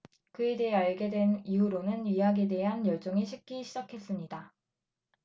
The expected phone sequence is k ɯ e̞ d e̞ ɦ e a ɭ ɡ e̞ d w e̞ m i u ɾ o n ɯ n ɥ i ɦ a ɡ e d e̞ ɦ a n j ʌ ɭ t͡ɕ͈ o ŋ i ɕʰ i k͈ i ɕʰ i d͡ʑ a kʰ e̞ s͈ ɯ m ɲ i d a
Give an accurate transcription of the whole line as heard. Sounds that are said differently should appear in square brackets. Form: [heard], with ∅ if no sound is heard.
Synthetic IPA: k ɯ e̞ d e̞ ɦ e a ɭ ɡ e̞ d w e̞ [n] i u ɾ o n ɯ n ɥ i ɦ a ɡ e d e̞ ɦ a n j ʌ ɭ t͡ɕ͈ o ŋ i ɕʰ i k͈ i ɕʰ i d͡ʑ a kʰ e̞ s͈ ɯ m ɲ i d a